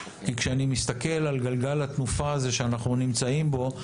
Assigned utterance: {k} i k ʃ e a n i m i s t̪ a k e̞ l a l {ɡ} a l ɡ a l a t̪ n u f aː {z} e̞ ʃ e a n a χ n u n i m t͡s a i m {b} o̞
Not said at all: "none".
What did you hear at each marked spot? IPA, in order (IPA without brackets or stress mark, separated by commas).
k, ɡ, z, b